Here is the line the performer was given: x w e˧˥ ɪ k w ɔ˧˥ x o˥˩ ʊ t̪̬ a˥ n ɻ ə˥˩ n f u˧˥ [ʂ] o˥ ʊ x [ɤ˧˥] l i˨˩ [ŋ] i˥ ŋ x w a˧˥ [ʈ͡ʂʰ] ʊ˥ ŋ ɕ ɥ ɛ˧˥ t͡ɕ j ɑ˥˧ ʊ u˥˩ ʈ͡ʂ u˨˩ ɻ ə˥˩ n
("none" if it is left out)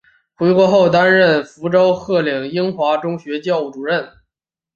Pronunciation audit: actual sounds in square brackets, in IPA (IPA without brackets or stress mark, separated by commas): ʈ͡ʂ, ɤ˥˩, ŋ, ʈ͡ʂ